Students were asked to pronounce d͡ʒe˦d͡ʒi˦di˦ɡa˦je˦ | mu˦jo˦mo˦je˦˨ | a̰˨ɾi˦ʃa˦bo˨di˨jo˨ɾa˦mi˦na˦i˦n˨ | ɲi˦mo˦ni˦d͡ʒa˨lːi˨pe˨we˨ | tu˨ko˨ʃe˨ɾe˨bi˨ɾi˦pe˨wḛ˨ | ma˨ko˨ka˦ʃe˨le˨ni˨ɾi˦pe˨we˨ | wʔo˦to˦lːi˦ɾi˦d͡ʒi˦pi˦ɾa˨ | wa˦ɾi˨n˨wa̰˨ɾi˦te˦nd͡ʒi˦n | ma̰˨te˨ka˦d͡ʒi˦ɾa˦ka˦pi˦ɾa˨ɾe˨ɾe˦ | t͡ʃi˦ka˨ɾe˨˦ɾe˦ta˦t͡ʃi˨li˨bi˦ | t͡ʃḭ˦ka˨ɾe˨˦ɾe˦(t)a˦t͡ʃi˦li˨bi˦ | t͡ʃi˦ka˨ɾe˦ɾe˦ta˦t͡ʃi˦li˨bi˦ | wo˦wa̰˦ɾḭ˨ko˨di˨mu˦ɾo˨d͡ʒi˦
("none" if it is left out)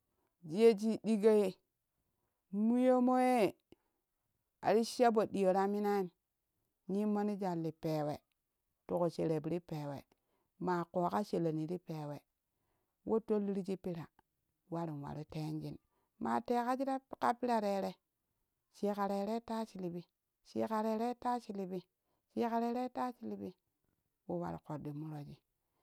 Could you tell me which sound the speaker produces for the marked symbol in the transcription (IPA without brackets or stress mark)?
t